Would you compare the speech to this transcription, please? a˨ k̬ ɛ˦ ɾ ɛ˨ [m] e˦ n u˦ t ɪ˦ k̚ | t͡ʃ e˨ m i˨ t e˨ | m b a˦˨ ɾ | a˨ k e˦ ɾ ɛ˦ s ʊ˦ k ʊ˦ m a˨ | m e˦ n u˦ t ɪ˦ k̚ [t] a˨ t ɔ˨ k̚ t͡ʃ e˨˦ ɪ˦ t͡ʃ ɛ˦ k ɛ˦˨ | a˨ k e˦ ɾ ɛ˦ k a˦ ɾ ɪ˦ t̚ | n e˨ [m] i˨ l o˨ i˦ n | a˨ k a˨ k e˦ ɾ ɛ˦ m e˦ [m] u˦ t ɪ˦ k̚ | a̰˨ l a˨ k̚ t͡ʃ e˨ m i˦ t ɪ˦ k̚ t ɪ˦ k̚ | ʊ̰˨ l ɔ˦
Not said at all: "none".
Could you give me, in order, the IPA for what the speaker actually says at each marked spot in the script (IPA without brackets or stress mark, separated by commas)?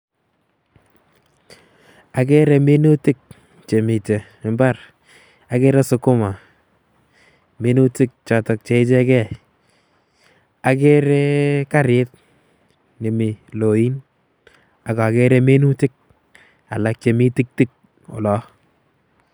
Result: m, t͡ʃ, m, n